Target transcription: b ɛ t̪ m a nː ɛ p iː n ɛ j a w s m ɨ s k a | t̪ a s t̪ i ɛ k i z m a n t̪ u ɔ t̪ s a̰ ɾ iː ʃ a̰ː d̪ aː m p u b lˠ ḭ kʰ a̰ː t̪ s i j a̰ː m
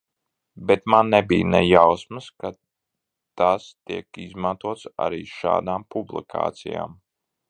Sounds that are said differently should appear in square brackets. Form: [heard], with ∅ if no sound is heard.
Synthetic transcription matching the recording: b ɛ t̪ m a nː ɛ [b] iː n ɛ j a w s m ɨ s k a | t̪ a s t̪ i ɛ k i z m a n t̪ u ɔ t̪ s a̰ ɾ iː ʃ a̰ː d̪ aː m p u b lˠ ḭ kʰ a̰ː t̪ s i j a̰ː m